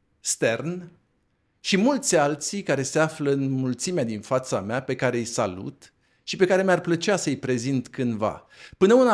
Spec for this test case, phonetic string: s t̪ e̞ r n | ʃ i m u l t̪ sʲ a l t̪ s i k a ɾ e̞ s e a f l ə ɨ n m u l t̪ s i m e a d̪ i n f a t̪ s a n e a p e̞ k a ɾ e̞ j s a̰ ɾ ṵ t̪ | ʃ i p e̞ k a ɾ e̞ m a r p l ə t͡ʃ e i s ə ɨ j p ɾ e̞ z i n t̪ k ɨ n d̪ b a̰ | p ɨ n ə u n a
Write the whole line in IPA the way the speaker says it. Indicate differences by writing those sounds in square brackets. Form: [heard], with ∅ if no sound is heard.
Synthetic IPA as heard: s t̪ e̞ r n | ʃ i m u l t̪ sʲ a l t̪ s i k a ɾ e̞ s e a f l ə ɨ n m u l t̪ s i m e a d̪ i n f a t̪ s a [m] e a p e̞ k a ɾ e̞ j s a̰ [l] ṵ t̪ | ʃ i p e̞ k a ɾ e̞ m a r p l ə t͡ʃ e [a] s ə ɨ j p ɾ e̞ z i n t̪ k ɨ n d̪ [v] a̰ | p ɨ n ə u n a